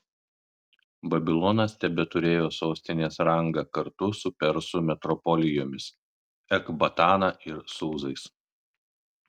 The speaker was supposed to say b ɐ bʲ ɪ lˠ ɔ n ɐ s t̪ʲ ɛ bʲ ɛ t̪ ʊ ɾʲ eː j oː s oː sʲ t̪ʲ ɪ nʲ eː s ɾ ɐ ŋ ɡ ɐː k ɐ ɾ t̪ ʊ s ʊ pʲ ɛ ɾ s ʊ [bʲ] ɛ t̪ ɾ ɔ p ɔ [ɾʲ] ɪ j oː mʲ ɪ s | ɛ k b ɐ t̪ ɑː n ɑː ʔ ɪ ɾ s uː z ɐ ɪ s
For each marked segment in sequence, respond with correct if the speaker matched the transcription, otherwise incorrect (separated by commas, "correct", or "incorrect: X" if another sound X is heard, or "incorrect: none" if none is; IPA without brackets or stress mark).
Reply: incorrect: mʲ, incorrect: lʲ